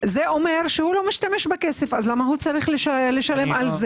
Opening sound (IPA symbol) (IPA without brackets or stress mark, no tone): z